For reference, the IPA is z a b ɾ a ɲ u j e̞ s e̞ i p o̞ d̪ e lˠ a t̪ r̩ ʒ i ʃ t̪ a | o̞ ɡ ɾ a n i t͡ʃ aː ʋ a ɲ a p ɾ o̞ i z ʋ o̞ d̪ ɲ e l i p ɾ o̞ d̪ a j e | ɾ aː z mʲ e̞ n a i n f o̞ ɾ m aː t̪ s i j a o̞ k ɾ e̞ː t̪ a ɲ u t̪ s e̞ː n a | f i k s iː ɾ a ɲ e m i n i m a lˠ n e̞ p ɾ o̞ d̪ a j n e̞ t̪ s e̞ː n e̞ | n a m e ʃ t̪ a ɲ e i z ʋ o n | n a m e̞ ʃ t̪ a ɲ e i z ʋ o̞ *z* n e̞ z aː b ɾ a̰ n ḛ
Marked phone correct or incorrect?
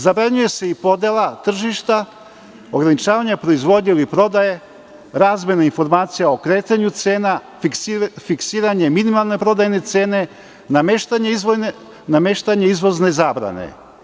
correct